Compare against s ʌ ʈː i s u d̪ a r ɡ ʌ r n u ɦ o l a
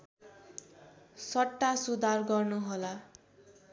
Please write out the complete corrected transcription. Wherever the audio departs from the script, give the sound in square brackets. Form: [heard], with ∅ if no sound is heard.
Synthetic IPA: s ʌ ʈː [a] s u d̪ a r ɡ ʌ r n u ɦ o l a